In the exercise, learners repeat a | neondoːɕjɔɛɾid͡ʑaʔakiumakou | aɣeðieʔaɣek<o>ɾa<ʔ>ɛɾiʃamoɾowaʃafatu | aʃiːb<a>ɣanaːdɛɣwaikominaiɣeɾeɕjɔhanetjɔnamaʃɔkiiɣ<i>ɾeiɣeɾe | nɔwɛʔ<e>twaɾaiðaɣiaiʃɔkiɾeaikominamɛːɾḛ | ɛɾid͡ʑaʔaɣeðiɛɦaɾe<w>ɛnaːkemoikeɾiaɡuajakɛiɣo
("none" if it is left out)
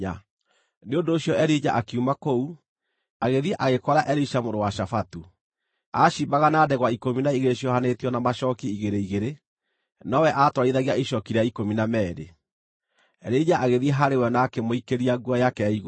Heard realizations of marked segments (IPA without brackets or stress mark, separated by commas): ɔ, ʔ, a, e, a, w